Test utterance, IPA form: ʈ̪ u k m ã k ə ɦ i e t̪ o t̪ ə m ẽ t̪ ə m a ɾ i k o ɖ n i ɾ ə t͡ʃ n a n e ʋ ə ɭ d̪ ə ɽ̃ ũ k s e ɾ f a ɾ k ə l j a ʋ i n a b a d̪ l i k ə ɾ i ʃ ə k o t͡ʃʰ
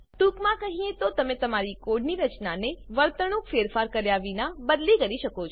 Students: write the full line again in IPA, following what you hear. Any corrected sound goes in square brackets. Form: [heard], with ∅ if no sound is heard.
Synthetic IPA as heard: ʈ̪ u k m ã k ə ɦ i e t̪ o t̪ ə m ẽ t̪ ə m a ɾ i k o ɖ n i ɾ ə t͡ʃ n a n e ʋ ə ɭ [t̪] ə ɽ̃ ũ k [f] e ɾ f a ɾ k ə [ɾ] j a ʋ i n a b [ə] d̪ l i k ə ɾ i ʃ ə k o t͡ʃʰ